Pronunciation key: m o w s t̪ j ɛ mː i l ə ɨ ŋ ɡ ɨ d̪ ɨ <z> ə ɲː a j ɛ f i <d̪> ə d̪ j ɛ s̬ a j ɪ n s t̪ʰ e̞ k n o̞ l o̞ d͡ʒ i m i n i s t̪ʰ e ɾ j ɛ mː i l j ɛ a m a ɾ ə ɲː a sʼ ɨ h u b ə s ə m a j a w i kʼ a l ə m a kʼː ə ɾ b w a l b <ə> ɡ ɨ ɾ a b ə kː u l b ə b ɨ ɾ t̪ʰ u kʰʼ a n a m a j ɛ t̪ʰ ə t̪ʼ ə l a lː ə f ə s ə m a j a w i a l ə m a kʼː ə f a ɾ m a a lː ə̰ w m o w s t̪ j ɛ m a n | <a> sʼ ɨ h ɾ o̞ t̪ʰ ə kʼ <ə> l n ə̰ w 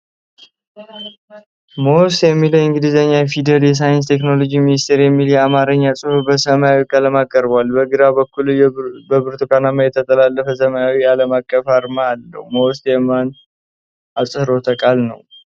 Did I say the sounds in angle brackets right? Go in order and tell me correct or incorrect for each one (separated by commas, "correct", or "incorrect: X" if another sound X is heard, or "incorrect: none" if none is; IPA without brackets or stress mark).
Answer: correct, correct, correct, correct, incorrect: a